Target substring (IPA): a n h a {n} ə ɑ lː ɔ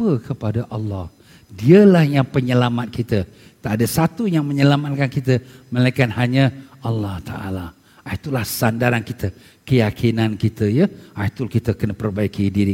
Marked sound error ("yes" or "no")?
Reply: yes